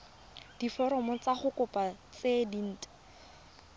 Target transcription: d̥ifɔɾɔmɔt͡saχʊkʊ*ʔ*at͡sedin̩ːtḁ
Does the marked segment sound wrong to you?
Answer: yes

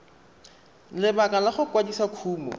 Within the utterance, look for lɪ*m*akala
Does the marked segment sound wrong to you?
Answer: yes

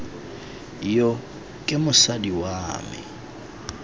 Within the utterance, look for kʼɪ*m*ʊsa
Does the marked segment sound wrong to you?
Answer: no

